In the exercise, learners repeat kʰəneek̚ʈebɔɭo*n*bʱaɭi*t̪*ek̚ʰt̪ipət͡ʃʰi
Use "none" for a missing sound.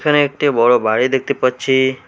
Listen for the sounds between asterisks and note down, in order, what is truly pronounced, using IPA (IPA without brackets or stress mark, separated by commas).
none, d̪